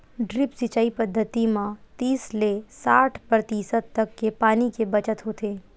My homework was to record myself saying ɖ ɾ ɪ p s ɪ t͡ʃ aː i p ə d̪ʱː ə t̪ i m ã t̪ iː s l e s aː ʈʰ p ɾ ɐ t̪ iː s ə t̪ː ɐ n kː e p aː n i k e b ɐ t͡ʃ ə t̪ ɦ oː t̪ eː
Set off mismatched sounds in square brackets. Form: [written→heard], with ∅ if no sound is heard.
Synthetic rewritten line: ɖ ɾ ɪ p s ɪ t͡ʃ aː i p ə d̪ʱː ə t̪ i m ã t̪ iː s l e s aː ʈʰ p ɾ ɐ t̪ iː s ə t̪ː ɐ [n→∅] kː e p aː n i k e b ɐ t͡ʃ ə t̪ ɦ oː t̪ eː